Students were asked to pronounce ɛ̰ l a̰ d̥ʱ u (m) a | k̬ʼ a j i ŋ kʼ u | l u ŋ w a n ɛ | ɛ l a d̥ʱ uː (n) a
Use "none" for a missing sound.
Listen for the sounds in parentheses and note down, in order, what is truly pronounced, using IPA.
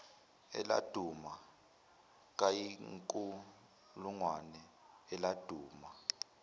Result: m, m

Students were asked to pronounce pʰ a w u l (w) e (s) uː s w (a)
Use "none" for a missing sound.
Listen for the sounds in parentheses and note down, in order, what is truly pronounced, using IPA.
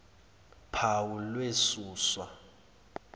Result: w, s, a

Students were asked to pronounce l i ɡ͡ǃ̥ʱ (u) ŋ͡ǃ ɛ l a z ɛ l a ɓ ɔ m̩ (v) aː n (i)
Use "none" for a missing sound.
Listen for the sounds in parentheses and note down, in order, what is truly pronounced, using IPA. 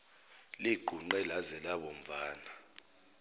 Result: u, v, a

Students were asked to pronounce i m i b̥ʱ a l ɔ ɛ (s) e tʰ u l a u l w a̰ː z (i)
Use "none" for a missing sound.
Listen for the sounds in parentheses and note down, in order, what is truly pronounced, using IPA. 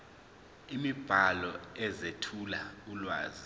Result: z, i

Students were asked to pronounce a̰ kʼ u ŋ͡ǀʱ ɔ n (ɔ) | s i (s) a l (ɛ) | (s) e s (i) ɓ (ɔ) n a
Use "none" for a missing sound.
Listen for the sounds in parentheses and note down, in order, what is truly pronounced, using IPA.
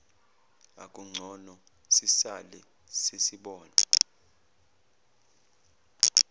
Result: ɔ, s, ɛ, s, i, ɔː

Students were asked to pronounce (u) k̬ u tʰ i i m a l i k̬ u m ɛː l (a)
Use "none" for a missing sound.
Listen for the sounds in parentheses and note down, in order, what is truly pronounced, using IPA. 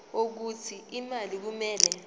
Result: o, ɛ

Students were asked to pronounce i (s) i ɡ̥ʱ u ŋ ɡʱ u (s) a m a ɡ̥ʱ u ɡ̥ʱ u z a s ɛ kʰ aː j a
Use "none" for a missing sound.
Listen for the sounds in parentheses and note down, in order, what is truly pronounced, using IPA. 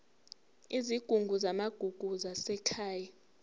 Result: z, z

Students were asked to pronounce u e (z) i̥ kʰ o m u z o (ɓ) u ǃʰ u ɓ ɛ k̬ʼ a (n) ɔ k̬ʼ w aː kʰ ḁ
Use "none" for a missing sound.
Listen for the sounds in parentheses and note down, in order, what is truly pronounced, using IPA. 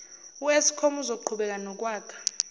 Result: s, none, n

